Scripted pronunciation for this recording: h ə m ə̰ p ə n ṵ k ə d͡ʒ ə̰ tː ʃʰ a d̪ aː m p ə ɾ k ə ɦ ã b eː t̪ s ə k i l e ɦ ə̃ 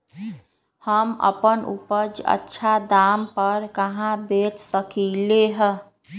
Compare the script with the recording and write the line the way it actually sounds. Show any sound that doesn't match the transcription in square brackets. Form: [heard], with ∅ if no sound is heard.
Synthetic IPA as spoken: h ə m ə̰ p ə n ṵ [p] ə d͡ʒ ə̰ tː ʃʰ a d̪ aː m p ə ɾ k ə ɦ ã b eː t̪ s ə k i l e ɦ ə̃

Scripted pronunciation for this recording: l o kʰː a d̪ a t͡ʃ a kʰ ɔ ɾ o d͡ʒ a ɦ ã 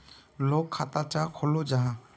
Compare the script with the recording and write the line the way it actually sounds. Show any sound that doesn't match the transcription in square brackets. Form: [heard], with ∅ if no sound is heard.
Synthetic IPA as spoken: l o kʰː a [t̪] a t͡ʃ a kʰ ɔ [l] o d͡ʒ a ɦ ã

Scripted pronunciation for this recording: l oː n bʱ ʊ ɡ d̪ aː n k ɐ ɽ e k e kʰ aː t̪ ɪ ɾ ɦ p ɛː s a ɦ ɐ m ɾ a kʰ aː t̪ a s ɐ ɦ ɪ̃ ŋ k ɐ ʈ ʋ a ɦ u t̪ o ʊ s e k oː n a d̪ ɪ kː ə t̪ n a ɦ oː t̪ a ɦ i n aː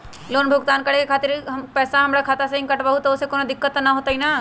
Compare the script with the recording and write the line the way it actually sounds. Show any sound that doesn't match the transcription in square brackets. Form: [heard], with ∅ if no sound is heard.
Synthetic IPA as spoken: l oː n bʱ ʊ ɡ [t̪] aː n k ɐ ɽ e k e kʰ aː t̪ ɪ ɾ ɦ p ɛː s a ɦ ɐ m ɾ a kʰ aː t̪ a s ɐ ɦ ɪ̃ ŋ k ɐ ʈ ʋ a ɦ u t̪ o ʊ s e k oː n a d̪ ɪ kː ə t̪ n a ɦ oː t̪ a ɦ i n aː

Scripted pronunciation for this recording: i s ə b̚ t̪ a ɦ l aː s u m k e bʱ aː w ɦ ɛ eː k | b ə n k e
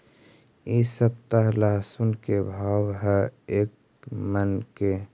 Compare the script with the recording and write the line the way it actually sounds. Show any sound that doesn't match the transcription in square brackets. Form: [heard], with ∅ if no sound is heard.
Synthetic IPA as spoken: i s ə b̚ t̪ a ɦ l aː s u [n] k e bʱ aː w ɦ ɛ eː k | [m] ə n k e

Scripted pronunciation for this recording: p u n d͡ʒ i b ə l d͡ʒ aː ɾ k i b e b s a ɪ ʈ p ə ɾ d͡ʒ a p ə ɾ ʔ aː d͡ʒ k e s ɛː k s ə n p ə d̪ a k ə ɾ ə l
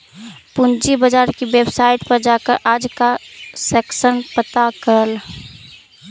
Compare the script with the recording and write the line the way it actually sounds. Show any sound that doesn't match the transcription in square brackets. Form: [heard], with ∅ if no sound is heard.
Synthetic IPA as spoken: p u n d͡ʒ i b ə [∅] d͡ʒ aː ɾ k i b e b s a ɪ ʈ p ə ɾ d͡ʒ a [k] ə ɾ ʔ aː d͡ʒ k [a] s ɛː k s ə n p ə [t̪] a k ə ɾ ə l

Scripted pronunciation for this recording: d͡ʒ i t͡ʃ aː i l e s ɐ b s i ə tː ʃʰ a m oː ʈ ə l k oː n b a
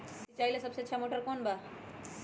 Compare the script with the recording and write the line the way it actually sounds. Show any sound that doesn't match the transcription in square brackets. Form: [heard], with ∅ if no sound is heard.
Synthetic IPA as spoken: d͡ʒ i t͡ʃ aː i l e s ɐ b s [e] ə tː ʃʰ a m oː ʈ ə [ɾ] k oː n b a

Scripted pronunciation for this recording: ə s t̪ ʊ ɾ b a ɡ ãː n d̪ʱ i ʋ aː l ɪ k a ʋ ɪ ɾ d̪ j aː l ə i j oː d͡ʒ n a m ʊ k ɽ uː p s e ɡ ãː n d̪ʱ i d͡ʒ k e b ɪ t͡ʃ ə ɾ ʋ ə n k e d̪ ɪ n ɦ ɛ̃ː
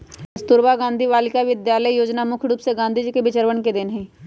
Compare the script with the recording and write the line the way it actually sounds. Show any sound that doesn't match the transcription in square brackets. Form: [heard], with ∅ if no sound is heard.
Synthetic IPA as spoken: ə s t̪ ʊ ɾ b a ɡ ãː n d̪ʱ i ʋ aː l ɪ k a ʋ ɪ [∅] d̪ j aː l ə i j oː d͡ʒ n a m ʊ [kʰ] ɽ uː p s e ɡ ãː n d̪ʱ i d͡ʒ k e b ɪ t͡ʃ ə ɾ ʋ ə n k e d̪ ɪ n ɦ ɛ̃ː

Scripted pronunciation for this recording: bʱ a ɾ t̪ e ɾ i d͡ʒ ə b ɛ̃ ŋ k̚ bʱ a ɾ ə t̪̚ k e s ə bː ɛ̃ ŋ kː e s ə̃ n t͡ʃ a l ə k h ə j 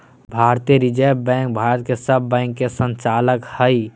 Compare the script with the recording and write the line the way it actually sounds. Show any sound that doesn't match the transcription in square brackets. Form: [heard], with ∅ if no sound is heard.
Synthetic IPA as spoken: bʱ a ɾ t̪ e ɾ i d͡ʒ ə b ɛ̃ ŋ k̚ bʱ a ɾ ə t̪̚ k e s ə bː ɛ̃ ŋ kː e s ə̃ n t͡ʃ a l ə k h ə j

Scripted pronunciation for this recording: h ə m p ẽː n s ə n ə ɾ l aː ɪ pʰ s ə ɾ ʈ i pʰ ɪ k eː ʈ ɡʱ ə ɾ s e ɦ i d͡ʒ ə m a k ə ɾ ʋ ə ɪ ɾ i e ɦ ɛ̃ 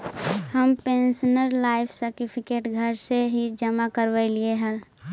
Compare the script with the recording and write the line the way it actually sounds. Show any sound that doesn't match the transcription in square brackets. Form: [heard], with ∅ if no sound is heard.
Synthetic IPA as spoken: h ə m p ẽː n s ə n ə ɾ l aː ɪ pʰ s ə ɾ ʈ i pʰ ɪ k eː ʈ ɡʱ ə ɾ s e ɦ i d͡ʒ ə m a k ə ɾ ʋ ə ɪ [l] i e ɦ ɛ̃

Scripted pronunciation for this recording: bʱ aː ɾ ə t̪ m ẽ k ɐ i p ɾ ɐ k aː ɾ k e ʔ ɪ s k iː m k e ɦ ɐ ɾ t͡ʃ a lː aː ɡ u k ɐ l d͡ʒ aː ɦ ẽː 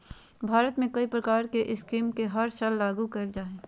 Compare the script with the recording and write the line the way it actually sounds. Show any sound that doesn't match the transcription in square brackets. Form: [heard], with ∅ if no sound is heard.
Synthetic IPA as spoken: bʱ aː ɾ ə t̪ m ẽ k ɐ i p ɾ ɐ k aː ɾ k e ʔ ɪ s k iː m k e ɦ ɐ ɾ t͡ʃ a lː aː ɡ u k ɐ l d͡ʒ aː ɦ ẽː

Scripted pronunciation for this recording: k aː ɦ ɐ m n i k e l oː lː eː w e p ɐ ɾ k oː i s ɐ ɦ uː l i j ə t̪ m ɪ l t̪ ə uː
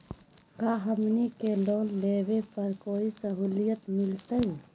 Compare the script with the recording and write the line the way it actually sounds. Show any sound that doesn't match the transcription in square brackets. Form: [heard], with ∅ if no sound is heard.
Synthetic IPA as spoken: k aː ɦ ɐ m n i k e l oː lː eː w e p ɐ ɾ k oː i s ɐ ɦ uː l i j ə t̪ m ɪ l t̪ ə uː

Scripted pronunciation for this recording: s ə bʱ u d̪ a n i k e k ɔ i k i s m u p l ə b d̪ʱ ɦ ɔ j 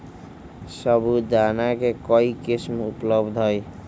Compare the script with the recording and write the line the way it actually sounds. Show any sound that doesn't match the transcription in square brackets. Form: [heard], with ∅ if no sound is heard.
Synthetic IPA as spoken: s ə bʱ u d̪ a n [a] k e k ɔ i k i s m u p l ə b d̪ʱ ɦ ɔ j

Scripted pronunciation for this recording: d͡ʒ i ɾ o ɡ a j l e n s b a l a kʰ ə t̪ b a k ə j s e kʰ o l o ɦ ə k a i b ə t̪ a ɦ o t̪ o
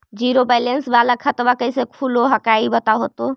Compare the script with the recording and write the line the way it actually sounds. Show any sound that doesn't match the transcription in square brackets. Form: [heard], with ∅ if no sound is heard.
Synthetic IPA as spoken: d͡ʒ i ɾ o [b] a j l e n s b a l a kʰ ə t̪ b a k ə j s e kʰ [u] l o ɦ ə k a i b ə t̪ a ɦ o t̪ o

